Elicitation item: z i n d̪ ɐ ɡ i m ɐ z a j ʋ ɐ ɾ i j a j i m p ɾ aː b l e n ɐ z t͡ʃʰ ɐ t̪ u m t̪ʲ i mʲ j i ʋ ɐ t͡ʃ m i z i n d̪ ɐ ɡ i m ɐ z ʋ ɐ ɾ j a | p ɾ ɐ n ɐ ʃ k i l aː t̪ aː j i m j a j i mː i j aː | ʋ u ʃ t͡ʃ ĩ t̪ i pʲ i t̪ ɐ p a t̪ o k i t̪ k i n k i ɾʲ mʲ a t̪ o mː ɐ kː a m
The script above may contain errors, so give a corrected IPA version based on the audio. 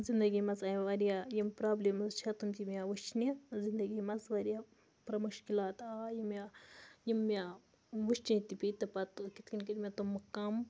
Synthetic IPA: z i n d̪ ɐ ɡ i m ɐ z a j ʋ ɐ ɾ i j a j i m p ɾ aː b l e m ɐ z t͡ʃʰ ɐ t̪ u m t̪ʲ i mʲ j a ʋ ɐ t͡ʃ n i z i n d̪ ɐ ɡ i m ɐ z ʋ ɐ ɾ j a | p ɾ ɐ m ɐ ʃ k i l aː t̪ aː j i m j a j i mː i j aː | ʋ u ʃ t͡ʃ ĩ t̪ i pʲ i t̪ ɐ p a t̪ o k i t̪ k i n k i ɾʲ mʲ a t̪ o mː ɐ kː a m